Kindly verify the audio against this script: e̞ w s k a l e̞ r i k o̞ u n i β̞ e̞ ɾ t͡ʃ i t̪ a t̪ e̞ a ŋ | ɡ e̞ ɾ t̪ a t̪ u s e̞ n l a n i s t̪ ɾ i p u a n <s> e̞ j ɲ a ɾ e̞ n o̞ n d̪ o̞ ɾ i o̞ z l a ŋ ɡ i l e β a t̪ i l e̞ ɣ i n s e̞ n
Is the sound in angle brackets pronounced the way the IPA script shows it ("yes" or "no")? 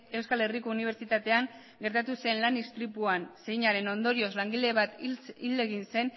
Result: yes